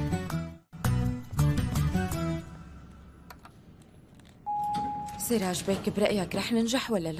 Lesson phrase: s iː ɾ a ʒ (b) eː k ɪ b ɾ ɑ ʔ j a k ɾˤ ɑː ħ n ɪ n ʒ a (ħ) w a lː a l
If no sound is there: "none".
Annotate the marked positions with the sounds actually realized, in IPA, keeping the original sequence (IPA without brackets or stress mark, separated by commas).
b, ħ